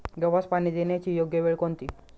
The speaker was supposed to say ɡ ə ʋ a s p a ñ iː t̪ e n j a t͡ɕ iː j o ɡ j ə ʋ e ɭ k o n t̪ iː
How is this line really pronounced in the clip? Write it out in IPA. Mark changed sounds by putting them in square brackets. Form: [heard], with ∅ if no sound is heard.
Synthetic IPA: ɡ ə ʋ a s p a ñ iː [d̪] e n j a t͡ɕ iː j o ɡ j ə ʋ e ɭ k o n t̪ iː